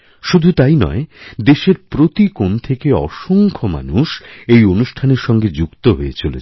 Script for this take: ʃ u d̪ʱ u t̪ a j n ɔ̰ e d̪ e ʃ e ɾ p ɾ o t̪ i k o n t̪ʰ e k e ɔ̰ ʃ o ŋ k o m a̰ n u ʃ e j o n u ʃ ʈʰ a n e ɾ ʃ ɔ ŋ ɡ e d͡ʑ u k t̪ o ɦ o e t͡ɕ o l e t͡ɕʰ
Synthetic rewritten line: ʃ u d̪ʱ u t̪ a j n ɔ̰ e d̪ e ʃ e ɾ p ɾ o t̪ i k o n t̪ʰ e k e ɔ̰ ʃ o ŋ kʰ o m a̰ n u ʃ e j o n u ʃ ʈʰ a n e ɾ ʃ ɔ ŋ ɡ e d͡ʑ u k t̪ o ɦ o e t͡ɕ o l e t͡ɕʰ